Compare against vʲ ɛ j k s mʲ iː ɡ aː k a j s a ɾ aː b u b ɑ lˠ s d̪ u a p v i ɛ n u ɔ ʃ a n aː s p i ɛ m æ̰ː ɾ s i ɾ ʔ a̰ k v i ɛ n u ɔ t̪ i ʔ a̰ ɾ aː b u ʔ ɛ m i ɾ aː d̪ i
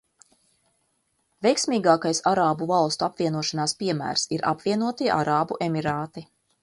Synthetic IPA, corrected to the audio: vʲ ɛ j k s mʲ iː ɡ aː k a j s a ɾ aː b u v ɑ lˠ s t̪ u a p v i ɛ n u ɔ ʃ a n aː s p i ɛ m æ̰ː ɾ s i ɾ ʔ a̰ p v i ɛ n u ɔ t̪ i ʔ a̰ ɾ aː b u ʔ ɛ m i ɾ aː t̪ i